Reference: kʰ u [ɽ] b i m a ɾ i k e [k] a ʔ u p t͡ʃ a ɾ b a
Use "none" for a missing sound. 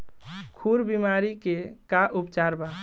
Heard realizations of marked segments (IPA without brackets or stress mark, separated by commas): ɾ, k